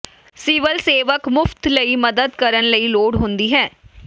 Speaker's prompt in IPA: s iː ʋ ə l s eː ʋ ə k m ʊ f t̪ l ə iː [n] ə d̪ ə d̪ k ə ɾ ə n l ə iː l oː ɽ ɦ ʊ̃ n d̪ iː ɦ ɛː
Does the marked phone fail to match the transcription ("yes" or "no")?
yes